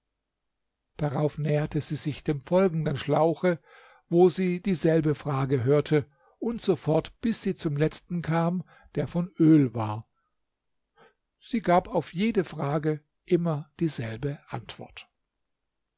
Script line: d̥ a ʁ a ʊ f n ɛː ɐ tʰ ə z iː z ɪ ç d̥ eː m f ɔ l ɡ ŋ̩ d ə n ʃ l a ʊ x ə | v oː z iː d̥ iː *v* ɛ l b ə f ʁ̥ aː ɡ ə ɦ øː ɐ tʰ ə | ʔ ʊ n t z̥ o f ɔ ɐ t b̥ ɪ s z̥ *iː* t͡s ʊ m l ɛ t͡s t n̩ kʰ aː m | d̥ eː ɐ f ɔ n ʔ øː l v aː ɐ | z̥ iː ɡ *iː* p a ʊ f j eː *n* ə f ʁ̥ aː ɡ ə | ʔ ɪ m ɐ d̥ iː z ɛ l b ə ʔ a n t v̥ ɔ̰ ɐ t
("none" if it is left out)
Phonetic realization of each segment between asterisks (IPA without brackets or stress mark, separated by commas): z, iː, aː, d